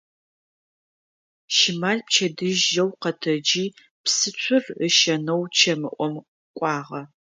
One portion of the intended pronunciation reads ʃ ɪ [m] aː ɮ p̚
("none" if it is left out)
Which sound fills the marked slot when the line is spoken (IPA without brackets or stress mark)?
m